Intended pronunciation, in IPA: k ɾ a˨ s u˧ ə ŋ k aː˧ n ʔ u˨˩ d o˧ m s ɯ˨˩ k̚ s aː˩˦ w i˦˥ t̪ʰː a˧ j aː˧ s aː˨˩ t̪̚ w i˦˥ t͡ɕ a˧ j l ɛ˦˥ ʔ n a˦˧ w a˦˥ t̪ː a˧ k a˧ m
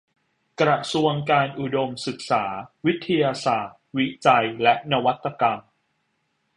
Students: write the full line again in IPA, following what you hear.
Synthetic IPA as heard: k ɾ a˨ s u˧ ə ŋ k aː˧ n ʔ u˨˩ d o˧ m s ɯ˨˩ k̚ s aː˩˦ w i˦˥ t̪ʰː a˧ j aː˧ s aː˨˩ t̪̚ w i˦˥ t͡ɕ a˧ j l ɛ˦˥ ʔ n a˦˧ w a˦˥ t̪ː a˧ k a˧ m